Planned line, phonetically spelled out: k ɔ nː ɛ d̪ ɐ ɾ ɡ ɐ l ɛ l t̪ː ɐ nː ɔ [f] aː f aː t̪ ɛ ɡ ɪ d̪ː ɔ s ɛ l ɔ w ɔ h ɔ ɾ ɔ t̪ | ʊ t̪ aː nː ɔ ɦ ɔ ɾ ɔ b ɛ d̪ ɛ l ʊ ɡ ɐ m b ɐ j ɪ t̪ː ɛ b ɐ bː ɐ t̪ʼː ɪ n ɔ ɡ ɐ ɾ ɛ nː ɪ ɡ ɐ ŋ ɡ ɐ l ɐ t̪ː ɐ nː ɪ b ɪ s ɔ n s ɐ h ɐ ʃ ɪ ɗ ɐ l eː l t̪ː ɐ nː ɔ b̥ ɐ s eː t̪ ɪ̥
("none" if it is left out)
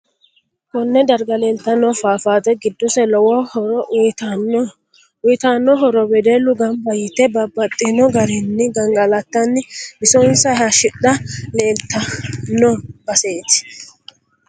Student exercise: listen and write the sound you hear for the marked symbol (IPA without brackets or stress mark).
f